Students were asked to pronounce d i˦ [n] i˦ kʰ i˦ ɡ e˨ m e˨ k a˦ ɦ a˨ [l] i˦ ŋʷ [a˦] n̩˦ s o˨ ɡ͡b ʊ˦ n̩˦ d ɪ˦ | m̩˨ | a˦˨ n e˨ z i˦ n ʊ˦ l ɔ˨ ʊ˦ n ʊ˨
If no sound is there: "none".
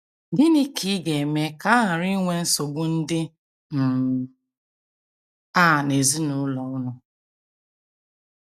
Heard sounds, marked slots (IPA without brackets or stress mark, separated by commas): n, ɾ, e˦